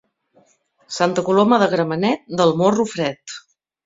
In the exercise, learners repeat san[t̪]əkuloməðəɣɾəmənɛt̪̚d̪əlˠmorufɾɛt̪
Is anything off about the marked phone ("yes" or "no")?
no